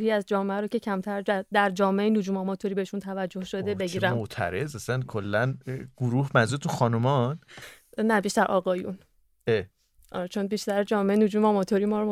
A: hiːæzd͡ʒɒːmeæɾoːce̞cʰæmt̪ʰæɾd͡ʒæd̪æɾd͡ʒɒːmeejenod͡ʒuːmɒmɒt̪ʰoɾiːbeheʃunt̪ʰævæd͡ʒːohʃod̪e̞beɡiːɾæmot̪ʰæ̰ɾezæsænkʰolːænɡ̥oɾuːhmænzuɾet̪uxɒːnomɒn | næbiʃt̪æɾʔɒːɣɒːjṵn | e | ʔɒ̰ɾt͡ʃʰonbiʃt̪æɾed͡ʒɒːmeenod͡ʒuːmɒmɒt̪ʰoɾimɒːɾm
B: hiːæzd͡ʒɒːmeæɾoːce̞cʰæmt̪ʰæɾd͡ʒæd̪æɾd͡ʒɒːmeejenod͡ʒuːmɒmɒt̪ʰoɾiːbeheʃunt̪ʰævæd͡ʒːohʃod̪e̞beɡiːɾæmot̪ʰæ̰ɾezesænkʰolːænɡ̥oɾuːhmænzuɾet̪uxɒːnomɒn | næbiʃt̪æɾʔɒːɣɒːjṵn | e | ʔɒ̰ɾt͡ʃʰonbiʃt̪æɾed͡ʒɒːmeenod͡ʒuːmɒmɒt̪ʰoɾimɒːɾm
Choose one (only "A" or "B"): A